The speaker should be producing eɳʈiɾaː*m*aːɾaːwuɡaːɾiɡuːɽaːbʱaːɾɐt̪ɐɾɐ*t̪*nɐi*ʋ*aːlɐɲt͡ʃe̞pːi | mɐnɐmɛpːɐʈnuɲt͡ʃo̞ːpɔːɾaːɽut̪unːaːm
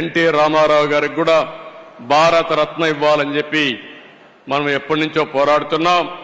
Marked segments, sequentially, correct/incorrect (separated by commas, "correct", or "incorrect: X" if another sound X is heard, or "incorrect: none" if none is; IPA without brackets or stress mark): correct, correct, incorrect: ʋː